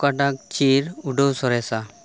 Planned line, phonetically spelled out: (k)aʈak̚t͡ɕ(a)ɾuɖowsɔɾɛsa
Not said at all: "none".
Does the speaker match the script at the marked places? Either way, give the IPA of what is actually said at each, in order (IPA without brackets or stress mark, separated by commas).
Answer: k, i